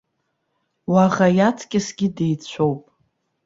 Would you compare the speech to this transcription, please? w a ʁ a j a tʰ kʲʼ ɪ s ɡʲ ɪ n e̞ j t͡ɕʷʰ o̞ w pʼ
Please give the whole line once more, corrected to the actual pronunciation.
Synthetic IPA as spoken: w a ʁ a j a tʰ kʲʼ ɪ s ɡʲ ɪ d e̞ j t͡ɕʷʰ o̞ w pʼ

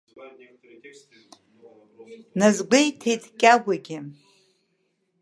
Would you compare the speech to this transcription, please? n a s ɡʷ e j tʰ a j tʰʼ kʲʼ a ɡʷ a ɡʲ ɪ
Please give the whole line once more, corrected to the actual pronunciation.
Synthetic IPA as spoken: n a z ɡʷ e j tʰ e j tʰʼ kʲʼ a ɡʷ a ɡʲ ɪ

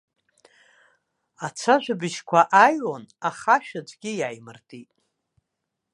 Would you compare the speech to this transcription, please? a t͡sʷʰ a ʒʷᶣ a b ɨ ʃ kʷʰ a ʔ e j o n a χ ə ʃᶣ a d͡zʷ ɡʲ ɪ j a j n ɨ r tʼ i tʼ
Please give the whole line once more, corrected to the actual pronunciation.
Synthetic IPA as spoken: a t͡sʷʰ a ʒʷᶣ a b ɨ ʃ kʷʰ a ʔ a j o n a χ a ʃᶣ a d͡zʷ ɡʲ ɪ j a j m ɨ r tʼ i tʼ

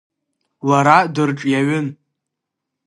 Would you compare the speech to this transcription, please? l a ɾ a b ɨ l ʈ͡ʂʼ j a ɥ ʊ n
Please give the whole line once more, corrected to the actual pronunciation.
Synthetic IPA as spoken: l a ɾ a d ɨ r ʈ͡ʂʼ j a ɥ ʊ n

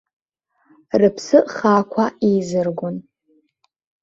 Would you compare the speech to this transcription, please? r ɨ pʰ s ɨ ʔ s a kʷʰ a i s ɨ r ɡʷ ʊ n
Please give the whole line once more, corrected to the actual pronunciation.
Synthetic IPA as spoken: r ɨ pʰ s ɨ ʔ χ a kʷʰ a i z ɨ r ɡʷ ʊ n

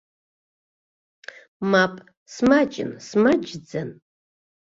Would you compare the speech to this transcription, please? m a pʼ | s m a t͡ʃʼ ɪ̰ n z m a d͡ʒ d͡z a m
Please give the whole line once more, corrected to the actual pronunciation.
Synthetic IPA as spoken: m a pʼ | s m a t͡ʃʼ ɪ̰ n s m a d͡ʒ d͡z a n

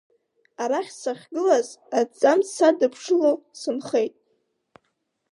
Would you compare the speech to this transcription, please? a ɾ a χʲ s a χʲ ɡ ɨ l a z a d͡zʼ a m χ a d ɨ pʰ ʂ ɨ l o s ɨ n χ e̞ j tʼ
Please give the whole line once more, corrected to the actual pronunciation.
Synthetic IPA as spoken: a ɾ a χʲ s a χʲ ɡ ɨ l a z a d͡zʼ a m s a d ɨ pʰ ʂ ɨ l o s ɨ n χ e̞ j tʼ

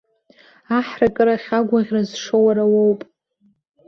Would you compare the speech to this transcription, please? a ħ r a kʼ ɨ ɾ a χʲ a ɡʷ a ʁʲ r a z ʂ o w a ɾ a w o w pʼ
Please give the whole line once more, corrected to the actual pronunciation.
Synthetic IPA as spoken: a ħ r a kʼ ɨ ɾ a χʲ a ɡʷ a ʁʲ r a z ʂ o w a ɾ a w o w pʼ

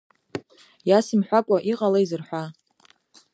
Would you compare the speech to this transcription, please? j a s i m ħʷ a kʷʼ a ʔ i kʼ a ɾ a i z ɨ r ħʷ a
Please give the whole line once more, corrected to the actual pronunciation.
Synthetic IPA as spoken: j a s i m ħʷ a kʷʼ a ʔ i qʼ a l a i z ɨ r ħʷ a

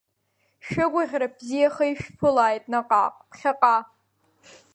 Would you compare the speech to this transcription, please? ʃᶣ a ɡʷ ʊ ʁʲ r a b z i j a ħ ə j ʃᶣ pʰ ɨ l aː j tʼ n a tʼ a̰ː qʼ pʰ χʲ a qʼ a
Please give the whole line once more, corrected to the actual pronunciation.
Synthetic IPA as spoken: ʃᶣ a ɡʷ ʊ ʁʲ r a b z i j a χ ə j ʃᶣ pʰ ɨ l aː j tʼ n a qʼ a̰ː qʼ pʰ χʲ a qʼ a

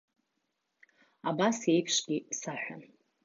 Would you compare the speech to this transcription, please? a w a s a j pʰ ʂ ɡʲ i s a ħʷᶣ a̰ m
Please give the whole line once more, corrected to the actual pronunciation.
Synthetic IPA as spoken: a b a s e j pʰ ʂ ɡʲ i s a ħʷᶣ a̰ n

